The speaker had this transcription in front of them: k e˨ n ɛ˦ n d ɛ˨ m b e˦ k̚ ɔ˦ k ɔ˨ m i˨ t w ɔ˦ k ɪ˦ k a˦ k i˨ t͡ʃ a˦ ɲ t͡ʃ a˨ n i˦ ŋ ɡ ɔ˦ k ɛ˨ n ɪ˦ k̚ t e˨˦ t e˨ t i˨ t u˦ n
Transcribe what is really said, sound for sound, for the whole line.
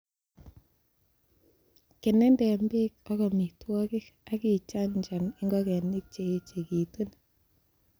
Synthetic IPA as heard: k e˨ n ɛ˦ n d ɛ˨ m b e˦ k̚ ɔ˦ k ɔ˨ m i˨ t w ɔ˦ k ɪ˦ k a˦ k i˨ t͡ʃ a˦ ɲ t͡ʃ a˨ n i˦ ŋ ɡ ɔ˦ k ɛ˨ n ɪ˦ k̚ t͡ʃ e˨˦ t͡ʃ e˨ k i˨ t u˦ n